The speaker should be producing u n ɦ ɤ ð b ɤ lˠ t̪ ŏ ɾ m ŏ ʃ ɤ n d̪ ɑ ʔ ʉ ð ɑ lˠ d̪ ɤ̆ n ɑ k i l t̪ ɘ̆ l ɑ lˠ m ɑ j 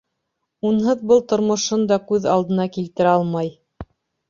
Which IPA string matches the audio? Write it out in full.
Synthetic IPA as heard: u n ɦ ɤ ð b ɤ lˠ t̪ ŏ ɾ m ŏ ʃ ɤ n d̪ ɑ k ʉ ð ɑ lˠ d̪ ɤ̆ n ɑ k i l t̪ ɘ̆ ɾ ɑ lˠ m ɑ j